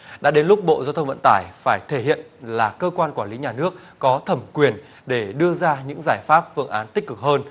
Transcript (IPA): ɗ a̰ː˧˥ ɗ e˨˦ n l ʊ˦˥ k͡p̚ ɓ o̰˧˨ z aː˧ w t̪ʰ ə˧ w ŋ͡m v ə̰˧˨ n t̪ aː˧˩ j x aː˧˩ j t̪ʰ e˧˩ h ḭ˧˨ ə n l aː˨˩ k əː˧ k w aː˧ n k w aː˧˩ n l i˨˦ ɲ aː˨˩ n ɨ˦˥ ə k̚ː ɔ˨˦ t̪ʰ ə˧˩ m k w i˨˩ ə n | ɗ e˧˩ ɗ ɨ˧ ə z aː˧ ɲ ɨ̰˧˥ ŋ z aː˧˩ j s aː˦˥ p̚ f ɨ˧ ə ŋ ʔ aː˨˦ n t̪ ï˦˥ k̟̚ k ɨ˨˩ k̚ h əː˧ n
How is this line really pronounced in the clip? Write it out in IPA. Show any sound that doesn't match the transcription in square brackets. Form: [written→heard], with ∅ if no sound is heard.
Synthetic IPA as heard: ɗ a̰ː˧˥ ɗ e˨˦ n l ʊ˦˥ k͡p̚ ɓ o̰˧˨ z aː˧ w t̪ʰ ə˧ w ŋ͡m v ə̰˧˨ n t̪ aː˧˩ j [x→f] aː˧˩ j t̪ʰ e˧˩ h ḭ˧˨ ə n l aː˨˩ k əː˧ k w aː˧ n k w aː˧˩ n l i˨˦ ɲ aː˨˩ n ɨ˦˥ ə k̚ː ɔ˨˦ t̪ʰ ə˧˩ m k w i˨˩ ə n | ɗ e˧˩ ɗ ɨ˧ ə z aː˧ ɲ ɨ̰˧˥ ŋ z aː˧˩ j [s→f] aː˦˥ p̚ f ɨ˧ ə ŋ ʔ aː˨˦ n t̪ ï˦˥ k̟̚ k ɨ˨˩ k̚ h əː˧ n